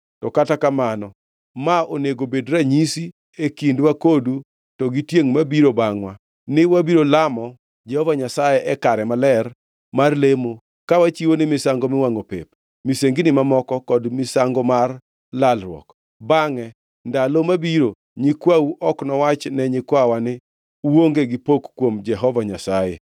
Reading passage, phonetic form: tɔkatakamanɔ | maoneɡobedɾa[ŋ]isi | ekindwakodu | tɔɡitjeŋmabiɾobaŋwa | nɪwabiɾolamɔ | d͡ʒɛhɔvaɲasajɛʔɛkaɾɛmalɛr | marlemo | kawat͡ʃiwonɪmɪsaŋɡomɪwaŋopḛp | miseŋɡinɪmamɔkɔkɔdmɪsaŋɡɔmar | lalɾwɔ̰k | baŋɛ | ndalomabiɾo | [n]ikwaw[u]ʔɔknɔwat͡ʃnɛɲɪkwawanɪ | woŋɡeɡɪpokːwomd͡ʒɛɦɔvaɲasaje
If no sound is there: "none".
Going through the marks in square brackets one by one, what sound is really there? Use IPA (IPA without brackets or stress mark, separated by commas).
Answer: ɲ, ɲ, u